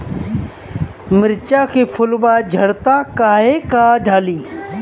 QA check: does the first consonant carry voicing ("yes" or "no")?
yes